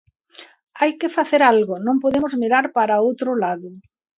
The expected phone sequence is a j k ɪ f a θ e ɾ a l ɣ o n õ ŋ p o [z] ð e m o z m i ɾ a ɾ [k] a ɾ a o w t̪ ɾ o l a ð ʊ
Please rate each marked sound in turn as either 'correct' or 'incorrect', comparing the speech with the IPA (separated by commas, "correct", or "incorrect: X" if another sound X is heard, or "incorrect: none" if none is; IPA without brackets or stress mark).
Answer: incorrect: none, incorrect: p